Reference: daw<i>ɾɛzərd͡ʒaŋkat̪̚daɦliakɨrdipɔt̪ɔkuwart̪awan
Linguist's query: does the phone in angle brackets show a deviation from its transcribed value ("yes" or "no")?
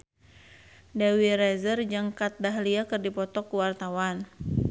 no